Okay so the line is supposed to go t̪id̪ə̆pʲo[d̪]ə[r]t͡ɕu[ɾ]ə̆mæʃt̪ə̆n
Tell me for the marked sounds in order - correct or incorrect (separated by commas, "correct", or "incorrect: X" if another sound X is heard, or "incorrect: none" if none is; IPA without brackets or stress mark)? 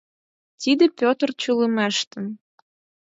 incorrect: t̪, correct, incorrect: l